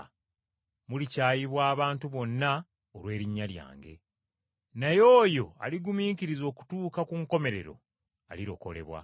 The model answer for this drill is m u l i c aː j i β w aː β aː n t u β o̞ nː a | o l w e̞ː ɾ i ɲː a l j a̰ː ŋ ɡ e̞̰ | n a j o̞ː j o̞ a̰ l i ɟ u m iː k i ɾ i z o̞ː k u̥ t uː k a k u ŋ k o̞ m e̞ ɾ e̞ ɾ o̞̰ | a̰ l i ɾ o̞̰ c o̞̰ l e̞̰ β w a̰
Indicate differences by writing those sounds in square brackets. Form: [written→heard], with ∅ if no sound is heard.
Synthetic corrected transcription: m u l i c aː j i β w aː β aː n t u β o̞ nː a | o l w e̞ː ɾ i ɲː a l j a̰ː ŋ ɡ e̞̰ | n a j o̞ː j o̞ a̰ l i [ɟ→ɡ] u m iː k i ɾ i z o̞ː k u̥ t uː k a k u ŋ k o̞ m e̞ ɾ e̞ ɾ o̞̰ | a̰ l i ɾ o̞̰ [c→k] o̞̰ l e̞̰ β w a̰

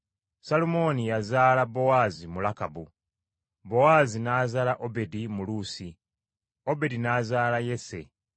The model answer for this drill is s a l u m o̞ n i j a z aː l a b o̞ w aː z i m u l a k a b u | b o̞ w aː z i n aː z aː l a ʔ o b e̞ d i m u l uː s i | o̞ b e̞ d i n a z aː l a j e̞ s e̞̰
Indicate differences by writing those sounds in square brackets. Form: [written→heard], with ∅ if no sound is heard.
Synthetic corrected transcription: s a l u m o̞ n i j a z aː l a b o̞ w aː z i m u l a k a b u | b o̞ w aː z i n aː z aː l a ʔ o b e̞ d i m u l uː s i | o̞ b e̞ d i n a z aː l a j e̞ s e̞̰

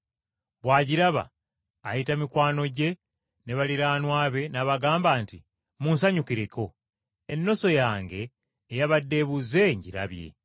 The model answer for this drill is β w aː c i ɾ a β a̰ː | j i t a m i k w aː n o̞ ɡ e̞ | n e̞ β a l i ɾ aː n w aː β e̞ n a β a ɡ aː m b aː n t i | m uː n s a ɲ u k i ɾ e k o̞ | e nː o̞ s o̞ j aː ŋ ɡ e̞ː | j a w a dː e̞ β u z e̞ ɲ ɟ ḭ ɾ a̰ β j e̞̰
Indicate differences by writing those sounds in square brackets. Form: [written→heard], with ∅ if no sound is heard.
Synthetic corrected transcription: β w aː [c→ɟ] i ɾ a β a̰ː | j i t a m i k w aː n o̞ [ɡ→ɟ] e̞ | n e̞ β a l i ɾ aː n w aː β e̞ n a β a ɡ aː m b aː n t i | m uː n s a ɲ u k i ɾ e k o̞ | e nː o̞ s o̞ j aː ŋ ɡ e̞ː | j a [w→β] a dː e̞ β u z e̞ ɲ ɟ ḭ ɾ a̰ β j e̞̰

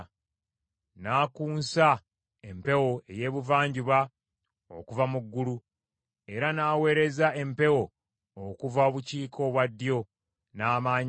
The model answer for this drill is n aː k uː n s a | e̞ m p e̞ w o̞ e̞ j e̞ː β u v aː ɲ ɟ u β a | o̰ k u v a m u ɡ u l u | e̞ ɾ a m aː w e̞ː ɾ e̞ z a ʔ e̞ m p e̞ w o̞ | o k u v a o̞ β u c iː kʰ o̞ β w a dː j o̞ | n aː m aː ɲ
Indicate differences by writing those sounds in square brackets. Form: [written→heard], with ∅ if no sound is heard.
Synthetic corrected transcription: n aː k uː n s a | e̞ m p e̞ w o̞ e̞ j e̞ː β u v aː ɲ ɟ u β a | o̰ k u v a m u [ɡ→ɡː] u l u | e̞ ɾ a [m→n] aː w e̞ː ɾ e̞ z a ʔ e̞ m p e̞ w o̞ | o k u v a o̞ β u c iː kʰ o̞ β w a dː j o̞ | n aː m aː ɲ

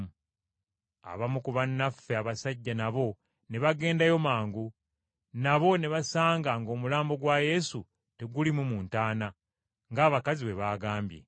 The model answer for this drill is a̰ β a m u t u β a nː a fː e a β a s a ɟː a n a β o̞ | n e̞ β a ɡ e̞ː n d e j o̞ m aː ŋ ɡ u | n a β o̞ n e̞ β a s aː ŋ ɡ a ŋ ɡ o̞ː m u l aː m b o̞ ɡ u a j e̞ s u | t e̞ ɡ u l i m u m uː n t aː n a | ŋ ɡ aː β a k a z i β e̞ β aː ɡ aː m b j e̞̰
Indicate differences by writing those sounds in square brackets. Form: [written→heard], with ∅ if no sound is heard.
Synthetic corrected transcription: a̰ β a m u [t→k] u β a nː a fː e a β a s a ɟː a n a β o̞ | n e̞ β a ɡ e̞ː n d [e→a] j o̞ m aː ŋ ɡ u | n a β o̞ n e̞ β a s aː ŋ ɡ a ŋ ɡ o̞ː m u l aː m b o̞ ɡ [u→w] a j e̞ s u | t e̞ ɡ u l i m u m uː n t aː n a | ŋ ɡ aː β a k a z i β e̞ β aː ɡ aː m b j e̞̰

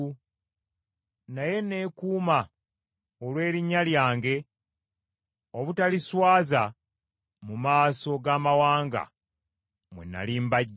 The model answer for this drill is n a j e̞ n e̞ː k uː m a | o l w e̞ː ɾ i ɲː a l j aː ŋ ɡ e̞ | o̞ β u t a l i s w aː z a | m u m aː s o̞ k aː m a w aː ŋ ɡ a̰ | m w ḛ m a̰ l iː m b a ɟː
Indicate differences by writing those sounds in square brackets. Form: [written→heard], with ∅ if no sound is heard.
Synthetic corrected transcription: n a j e̞ n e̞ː k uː m a | o l w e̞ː ɾ i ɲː a l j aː ŋ ɡ e̞ | o̞ β u t a l i s w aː z a | m u m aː s o̞ [k→ɡ] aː m a w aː ŋ ɡ a̰ | m w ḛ [m→n] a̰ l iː m b a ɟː

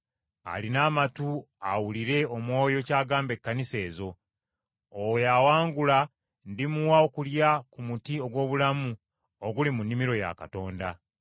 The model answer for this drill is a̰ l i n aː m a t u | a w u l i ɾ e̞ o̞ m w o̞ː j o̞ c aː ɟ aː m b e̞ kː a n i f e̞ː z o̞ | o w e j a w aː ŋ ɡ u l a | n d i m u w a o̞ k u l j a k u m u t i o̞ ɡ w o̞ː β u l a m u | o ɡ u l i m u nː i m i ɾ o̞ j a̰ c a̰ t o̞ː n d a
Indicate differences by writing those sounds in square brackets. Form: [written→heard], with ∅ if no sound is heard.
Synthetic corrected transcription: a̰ l i n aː m a t u | a w u l i ɾ e̞ o̞ m w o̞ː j o̞ c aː [ɟ→ɡ] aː m b e̞ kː a n i [f→s] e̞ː z o̞ | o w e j a w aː ŋ ɡ u l a | n d i m u w a o̞ k u l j a k u m u t i o̞ ɡ w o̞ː β u l a m u | o ɡ u l i m u nː i m i ɾ o̞ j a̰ [c→k] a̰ t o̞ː n d a

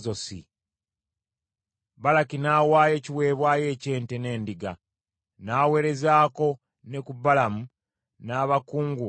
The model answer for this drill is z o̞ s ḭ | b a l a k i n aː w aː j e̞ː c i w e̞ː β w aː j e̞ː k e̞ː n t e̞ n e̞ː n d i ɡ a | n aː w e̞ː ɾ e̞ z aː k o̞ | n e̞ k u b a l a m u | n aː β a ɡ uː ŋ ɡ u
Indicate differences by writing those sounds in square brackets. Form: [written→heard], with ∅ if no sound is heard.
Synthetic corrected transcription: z o̞ s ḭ | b a l a k i n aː w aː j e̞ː c i w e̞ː β w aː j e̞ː [k→c] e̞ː n t e̞ n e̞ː n d i ɡ a | n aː w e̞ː ɾ e̞ z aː k o̞ | n e̞ k u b a l a m u | n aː β a [ɡ→k] uː ŋ ɡ u

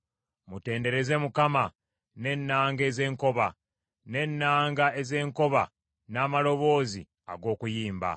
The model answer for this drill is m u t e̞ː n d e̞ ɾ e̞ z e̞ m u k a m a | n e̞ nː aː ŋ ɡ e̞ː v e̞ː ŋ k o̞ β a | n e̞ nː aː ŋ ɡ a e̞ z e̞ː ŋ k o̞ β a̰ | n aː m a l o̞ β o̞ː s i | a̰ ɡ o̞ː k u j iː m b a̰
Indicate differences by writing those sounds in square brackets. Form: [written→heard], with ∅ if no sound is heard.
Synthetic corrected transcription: m u t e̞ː n d e̞ ɾ e̞ z e̞ m u k a m a | n e̞ nː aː ŋ ɡ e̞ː [v→z] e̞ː ŋ k o̞ β a | n e̞ nː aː ŋ ɡ a e̞ z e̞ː ŋ k o̞ β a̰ | n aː m a l o̞ β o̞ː [s→z] i | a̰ ɡ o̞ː k u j iː m b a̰

